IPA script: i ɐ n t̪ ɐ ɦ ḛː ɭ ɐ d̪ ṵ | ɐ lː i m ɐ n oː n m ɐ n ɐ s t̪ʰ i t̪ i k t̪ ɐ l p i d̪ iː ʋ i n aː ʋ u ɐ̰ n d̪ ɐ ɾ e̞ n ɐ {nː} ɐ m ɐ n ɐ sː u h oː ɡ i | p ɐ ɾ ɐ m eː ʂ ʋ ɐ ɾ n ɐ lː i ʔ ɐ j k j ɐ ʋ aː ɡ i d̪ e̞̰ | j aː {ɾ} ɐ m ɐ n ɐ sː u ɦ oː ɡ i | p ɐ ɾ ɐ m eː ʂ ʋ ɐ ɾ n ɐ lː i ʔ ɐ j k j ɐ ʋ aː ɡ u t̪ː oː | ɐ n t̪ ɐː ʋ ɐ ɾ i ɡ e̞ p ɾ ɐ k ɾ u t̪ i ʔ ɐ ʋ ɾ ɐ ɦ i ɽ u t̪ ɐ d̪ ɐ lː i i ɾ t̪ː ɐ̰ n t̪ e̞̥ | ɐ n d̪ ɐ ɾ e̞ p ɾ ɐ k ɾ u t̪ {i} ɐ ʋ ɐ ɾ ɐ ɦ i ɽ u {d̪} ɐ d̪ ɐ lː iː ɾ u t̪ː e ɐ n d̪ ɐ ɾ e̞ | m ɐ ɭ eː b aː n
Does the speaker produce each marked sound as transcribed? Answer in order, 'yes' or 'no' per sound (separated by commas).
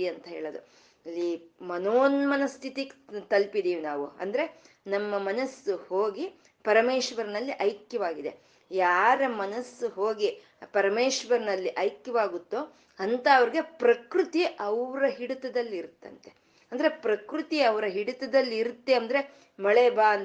no, yes, yes, no